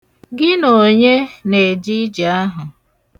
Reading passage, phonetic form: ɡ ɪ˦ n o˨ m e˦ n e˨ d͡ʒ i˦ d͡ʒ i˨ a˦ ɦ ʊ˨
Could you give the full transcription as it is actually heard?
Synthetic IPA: ɡ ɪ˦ n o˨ ɲ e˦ n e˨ d͡ʒ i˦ d͡ʒ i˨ a˦ ɦ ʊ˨